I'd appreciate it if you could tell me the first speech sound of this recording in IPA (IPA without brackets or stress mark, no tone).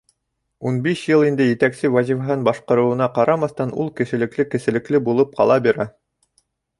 u